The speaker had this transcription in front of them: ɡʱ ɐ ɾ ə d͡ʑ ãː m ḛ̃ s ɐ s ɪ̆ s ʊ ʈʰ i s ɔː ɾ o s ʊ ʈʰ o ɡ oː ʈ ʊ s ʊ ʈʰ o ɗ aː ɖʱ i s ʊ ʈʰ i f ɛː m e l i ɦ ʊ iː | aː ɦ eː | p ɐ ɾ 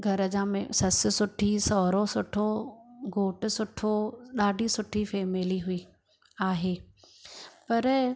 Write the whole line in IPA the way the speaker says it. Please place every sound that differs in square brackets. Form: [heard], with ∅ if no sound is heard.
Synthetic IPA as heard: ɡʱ ɐ ɾ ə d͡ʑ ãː m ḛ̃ s ɐ s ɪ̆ s ʊ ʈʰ i s ɔː ɾ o s ʊ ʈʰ o ɡ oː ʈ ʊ s ʊ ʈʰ o ɗ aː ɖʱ i s ʊ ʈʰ i f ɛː m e l i ɦ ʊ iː | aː ɦ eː | p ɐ ɾ